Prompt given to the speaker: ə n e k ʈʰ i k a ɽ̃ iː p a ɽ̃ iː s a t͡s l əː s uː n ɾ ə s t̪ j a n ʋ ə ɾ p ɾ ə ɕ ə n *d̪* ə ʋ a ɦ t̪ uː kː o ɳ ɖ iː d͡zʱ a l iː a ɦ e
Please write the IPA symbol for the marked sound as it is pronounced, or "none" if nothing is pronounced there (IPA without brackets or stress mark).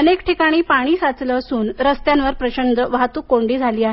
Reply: d̪